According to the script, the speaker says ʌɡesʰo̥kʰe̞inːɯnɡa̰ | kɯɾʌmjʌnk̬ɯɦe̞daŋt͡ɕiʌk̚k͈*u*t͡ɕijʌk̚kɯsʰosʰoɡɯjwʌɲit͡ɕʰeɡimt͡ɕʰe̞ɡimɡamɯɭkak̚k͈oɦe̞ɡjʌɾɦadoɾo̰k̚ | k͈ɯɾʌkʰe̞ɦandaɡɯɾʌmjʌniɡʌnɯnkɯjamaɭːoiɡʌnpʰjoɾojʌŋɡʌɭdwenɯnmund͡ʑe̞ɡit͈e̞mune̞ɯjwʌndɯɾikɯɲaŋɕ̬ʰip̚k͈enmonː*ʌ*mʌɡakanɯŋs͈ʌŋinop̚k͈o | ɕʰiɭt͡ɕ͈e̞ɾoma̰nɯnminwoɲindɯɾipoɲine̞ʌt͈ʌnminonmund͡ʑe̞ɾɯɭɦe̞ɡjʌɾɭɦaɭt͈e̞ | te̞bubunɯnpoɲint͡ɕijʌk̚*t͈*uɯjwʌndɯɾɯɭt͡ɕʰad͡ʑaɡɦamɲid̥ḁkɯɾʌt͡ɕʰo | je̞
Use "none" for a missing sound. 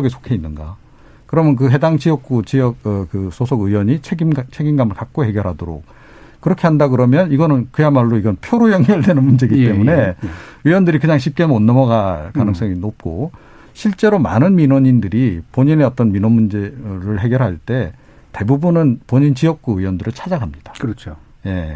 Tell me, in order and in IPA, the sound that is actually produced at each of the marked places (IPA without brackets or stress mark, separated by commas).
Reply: u, ʌ, k͈